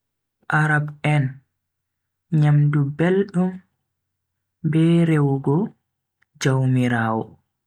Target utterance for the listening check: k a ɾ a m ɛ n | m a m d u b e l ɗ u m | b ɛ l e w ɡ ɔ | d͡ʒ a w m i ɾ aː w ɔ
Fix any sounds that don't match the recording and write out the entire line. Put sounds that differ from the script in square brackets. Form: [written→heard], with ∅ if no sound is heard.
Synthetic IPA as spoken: [k→ʔ] a ɾ a [m→b] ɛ n | [m→ɲ] a m d u b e l ɗ u m | b ɛ [l→ɾ] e w ɡ ɔ | d͡ʒ a w m i ɾ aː w ɔ